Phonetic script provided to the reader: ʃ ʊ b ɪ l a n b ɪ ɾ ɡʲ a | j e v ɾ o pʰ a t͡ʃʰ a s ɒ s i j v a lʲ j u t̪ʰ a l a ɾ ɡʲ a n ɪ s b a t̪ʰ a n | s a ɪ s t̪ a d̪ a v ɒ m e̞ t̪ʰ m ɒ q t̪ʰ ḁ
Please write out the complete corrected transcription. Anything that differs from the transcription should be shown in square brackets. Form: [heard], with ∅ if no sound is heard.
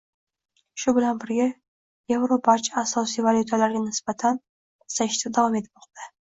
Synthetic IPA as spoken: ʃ ʊ b ɪ l a n b ɪ ɾ ɡʲ a | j e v ɾ o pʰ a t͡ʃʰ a s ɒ s i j v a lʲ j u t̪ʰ a l a ɾ ɡʲ a n ɪ s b a t̪ʰ a n | s a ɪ [ʃ] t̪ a d̪ a v ɒ m e̞ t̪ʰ m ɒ q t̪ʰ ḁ